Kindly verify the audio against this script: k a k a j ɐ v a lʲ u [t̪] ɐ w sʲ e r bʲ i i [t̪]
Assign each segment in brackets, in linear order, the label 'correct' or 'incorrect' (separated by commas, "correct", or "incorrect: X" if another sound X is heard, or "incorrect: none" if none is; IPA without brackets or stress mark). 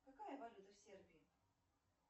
correct, incorrect: none